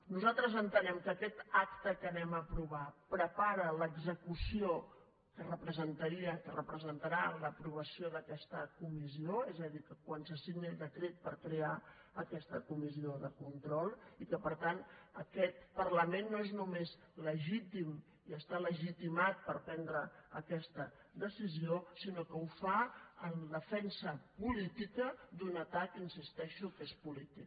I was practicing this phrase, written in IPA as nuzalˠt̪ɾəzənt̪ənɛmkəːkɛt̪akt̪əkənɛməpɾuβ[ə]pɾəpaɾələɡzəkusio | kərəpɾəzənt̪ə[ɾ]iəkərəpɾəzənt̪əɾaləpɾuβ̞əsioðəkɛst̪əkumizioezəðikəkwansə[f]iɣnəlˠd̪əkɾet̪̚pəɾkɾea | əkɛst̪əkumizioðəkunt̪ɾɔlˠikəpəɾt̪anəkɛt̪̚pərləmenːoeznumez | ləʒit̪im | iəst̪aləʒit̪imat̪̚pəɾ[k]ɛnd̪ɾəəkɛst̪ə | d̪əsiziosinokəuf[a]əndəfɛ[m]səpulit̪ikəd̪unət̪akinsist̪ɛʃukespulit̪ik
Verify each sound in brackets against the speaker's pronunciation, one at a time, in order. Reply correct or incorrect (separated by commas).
incorrect, correct, incorrect, incorrect, correct, incorrect